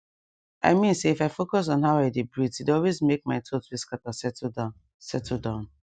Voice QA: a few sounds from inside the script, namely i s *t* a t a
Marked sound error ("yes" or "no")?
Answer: yes